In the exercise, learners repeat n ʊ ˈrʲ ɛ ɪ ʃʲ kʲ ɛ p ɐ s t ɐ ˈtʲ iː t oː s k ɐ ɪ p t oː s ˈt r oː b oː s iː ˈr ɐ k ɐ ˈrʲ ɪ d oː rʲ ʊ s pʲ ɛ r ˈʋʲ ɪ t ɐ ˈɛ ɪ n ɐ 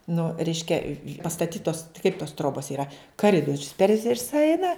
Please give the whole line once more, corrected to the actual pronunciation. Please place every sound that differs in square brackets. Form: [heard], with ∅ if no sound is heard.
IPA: n ʊ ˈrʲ ɛ ɪ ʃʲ kʲ ɛ p ɐ s t ɐ ˈtʲ iː t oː s k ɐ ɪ p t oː s ˈt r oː b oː s iː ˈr ɐ k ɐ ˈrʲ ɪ d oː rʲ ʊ s pʲ ɛ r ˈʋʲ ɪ [s] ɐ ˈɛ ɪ n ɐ